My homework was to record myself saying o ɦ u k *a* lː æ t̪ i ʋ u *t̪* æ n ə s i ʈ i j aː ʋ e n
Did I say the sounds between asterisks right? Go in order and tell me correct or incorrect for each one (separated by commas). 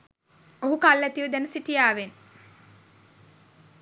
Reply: correct, incorrect